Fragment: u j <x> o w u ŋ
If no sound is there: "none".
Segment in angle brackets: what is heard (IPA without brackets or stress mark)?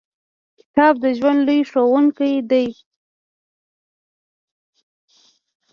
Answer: ʂ